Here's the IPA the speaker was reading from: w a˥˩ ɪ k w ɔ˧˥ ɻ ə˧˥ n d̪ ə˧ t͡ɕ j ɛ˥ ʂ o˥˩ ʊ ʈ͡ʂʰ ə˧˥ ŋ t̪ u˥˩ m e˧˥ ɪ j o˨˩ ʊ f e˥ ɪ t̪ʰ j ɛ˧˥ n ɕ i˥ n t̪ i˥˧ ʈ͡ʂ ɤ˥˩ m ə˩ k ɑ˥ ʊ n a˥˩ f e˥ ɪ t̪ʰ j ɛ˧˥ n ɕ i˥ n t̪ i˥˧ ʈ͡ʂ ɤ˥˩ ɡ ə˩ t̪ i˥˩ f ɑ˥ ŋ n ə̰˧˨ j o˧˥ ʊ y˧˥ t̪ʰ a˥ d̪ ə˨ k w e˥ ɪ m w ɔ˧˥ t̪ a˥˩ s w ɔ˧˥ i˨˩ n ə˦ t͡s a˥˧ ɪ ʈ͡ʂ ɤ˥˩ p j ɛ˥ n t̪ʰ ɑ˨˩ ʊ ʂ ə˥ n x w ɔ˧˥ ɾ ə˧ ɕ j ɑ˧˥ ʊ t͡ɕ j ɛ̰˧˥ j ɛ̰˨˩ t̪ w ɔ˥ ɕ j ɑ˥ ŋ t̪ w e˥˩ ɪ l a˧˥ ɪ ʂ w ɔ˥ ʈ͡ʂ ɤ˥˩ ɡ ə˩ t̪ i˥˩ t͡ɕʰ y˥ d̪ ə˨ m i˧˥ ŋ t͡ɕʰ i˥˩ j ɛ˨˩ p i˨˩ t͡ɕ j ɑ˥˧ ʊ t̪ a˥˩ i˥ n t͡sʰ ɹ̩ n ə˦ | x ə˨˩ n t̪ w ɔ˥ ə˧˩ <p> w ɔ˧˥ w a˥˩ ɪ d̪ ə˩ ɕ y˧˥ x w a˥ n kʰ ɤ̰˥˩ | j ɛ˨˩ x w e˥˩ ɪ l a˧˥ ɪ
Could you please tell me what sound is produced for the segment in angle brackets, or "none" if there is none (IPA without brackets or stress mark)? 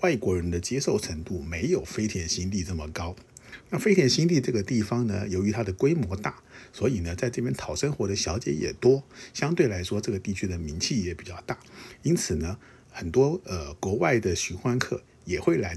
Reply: k